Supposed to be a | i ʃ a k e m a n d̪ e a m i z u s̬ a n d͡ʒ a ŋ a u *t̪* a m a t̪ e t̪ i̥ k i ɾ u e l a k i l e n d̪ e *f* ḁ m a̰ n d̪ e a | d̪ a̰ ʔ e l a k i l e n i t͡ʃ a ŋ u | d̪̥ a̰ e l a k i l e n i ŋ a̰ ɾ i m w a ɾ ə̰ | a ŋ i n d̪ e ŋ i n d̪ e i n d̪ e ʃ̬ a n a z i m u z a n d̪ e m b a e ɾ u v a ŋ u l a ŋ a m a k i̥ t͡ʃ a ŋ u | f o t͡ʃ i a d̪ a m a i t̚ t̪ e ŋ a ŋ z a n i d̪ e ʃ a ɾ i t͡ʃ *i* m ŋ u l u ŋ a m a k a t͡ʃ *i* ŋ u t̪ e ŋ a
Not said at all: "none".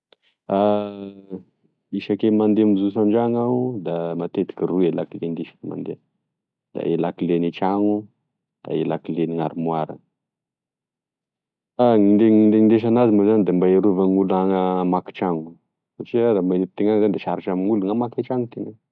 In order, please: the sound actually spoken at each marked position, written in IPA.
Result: d̪, ʃ, a, a

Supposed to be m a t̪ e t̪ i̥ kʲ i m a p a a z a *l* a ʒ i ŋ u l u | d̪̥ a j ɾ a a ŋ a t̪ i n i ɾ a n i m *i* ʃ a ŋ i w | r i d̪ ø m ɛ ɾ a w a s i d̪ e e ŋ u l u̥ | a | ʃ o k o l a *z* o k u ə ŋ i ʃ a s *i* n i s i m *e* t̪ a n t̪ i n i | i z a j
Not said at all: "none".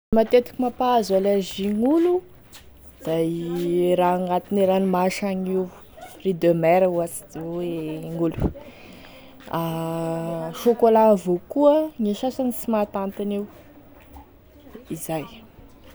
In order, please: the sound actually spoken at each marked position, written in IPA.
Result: l, a, v, a, a

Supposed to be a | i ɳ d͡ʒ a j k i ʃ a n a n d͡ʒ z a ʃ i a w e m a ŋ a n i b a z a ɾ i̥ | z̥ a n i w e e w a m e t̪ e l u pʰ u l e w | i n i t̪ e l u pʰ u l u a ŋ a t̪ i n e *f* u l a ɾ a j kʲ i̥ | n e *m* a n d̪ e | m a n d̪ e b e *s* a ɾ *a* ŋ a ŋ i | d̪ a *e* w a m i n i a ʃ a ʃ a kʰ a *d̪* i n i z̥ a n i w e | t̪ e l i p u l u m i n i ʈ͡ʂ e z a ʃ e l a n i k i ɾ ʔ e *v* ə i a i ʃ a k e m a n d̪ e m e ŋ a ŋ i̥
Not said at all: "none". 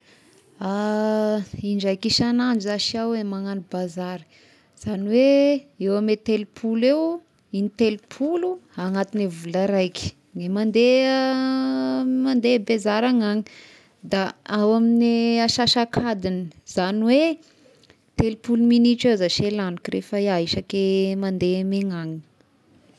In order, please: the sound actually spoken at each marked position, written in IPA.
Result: v, m, z, a, a, d̪, f

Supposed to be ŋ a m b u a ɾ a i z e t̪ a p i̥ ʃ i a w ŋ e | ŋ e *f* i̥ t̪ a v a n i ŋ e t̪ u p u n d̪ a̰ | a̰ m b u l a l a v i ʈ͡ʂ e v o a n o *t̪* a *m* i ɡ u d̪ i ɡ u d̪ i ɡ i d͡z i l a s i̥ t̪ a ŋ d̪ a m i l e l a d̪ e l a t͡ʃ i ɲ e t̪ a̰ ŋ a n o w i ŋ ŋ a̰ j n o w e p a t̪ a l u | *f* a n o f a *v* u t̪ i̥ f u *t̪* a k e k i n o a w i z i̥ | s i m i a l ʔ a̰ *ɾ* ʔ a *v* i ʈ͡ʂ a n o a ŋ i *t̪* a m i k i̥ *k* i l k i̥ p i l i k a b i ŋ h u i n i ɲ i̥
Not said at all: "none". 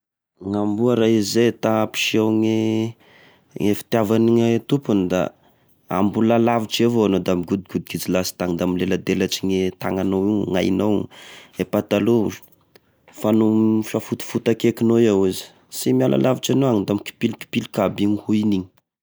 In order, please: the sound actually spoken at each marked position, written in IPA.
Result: f, d̪, m, f, f, t̪, l, v, d̪, p

